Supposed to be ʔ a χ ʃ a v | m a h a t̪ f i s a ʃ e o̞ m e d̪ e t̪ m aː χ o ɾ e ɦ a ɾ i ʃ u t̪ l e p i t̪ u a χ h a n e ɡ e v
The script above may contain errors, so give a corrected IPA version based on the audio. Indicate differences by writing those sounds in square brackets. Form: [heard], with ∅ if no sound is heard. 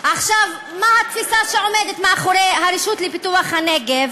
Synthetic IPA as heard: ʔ a χ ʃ a v | m a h a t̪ f i s a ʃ e o̞ m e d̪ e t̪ m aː χ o ɾ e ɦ a ɾ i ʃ u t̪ l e p i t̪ u a χ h a n e ɡ e v